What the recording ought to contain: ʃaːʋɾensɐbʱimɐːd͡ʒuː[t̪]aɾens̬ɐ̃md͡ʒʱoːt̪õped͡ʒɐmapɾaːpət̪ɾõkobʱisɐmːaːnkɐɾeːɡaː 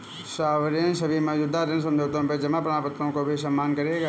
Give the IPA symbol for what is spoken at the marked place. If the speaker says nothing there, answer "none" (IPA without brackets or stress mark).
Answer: d̪